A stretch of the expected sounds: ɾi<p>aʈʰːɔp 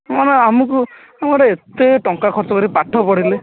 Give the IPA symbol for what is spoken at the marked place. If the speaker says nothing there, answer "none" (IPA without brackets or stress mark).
p